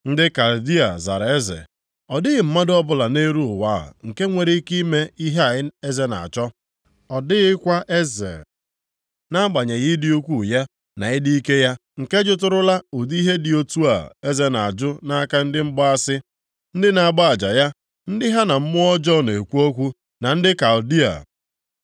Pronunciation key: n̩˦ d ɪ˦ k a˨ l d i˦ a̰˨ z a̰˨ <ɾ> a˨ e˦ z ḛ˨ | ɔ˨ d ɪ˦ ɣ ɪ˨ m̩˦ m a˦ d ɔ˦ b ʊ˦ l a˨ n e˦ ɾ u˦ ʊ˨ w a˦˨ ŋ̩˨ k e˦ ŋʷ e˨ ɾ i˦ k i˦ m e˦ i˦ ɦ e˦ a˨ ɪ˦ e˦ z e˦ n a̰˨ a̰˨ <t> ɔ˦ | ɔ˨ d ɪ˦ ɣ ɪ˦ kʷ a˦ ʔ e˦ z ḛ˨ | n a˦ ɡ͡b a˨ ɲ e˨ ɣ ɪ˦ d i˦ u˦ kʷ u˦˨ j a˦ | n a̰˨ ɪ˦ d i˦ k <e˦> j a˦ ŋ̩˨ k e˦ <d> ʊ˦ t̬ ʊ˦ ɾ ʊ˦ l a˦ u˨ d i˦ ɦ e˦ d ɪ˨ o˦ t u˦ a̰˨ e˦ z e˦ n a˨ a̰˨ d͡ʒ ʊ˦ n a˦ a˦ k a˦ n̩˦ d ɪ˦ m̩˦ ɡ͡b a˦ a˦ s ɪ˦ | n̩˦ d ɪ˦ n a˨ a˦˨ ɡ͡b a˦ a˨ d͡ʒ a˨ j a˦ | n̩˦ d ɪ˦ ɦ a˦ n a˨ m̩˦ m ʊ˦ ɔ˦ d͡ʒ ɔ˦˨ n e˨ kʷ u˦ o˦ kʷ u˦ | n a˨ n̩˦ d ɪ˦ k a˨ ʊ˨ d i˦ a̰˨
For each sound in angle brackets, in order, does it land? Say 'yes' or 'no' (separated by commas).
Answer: yes, no, yes, no